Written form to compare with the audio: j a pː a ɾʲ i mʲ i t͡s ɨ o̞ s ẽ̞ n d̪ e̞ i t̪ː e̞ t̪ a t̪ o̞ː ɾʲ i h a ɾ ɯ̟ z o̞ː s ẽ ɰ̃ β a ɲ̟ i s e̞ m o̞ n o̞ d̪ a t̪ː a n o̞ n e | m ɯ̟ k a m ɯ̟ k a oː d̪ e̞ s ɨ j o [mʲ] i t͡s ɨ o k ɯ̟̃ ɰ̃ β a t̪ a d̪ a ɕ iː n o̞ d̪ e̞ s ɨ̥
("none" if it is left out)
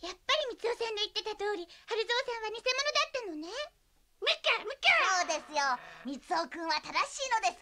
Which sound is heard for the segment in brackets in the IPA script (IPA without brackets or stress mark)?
mʲ